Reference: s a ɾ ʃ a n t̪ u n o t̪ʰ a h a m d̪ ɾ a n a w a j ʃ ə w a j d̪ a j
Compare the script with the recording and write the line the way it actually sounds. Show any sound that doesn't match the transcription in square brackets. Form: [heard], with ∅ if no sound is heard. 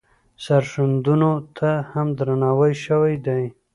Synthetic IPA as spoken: s a ɾ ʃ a n [d̪] u n o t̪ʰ a h a m d̪ ɾ a n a w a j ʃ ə w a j d̪ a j